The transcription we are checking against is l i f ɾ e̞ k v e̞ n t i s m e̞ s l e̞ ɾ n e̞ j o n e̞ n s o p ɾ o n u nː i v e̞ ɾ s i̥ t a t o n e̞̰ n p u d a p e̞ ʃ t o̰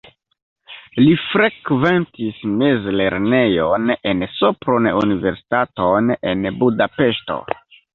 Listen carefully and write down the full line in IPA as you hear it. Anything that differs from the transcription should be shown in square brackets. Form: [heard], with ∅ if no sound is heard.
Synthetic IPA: l i f ɾ e̞ k v e̞ n t i s m e̞ [z] l e̞ ɾ n e̞ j o n e̞ n s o p ɾ o n u [n] i v e̞ ɾ s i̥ t a t o n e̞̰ n [b] u d a p e̞ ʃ t o̰